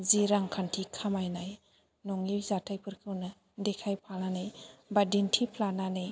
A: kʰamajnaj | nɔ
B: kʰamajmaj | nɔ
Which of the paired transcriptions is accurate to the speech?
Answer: A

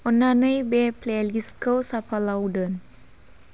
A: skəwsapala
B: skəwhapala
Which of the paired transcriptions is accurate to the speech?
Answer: A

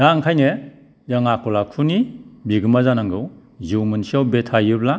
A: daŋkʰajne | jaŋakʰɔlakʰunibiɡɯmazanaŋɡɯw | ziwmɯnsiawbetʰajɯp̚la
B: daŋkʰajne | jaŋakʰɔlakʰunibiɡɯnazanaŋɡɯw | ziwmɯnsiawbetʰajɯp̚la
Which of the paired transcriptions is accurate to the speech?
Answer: A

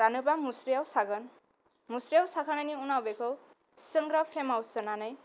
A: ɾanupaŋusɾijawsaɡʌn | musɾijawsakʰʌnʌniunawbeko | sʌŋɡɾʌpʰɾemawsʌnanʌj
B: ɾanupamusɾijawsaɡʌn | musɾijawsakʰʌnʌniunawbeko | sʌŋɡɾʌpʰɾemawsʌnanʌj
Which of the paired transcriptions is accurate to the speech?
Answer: B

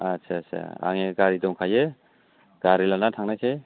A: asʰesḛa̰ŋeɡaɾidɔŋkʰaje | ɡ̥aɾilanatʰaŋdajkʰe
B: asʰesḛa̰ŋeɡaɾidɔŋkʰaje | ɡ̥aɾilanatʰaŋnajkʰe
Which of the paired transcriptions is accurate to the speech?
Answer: B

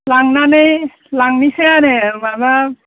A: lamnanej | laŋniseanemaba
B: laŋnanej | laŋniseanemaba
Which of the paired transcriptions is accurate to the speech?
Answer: B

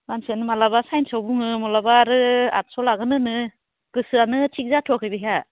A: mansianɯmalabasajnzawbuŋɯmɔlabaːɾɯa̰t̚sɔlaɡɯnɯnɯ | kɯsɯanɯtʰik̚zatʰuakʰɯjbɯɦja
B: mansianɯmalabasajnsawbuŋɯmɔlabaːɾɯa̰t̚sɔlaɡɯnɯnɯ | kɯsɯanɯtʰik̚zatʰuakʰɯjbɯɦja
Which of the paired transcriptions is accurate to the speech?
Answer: B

